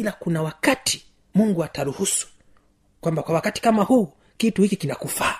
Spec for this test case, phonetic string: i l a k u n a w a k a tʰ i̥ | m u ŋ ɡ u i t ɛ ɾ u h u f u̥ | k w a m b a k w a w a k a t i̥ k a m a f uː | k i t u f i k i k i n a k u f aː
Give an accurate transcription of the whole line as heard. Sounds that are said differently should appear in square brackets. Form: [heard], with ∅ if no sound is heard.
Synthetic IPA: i l a k u n a w a k a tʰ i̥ | m u ŋ ɡ u [a] t [a] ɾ u h u [s] u̥ | k w a m b a k w a w a k a t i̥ k a m a [h] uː | k i t u [h] i k i k i n a k u f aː